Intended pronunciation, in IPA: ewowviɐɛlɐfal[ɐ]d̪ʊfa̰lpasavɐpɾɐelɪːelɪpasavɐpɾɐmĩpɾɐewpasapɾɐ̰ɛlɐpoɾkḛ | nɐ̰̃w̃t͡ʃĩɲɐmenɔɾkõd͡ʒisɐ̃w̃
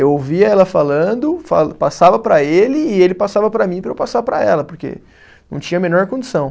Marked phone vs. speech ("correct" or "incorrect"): incorrect